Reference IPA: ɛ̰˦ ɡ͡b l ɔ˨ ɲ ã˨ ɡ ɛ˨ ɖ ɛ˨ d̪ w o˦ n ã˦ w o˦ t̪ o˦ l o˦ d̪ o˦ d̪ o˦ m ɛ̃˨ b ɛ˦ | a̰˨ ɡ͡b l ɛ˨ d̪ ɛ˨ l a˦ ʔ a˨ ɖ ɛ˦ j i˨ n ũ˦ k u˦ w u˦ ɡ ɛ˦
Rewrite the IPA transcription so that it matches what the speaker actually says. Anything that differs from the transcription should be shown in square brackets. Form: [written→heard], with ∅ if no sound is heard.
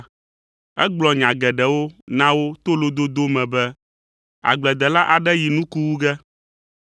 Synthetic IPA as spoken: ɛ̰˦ ɡ͡b l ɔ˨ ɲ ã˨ ɡ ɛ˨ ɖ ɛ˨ [d̪→∅] w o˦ n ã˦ w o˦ t̪ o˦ l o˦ d̪ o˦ d̪ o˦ m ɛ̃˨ b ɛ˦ | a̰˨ ɡ͡b l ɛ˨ d̪ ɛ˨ l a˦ ʔ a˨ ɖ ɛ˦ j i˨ n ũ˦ k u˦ w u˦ ɡ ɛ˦